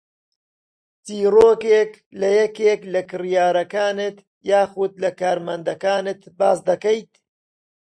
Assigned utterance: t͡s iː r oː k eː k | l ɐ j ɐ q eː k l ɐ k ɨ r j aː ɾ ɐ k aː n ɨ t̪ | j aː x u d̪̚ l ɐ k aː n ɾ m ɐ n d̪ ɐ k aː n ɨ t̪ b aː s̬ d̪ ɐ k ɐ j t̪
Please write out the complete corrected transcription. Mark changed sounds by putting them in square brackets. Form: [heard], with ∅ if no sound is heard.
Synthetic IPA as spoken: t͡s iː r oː k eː k | l ɐ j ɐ [k] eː k l ɐ k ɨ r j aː ɾ ɐ k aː n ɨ t̪ | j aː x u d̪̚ l ɐ k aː [∅] ɾ m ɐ n d̪ ɐ k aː n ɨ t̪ b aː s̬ d̪ ɐ k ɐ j t̪